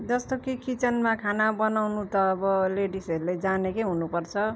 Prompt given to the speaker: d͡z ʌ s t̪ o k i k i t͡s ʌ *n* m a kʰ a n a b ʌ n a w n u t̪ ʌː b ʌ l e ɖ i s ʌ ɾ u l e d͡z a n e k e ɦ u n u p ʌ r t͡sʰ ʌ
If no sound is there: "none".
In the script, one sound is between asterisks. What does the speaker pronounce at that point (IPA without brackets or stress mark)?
n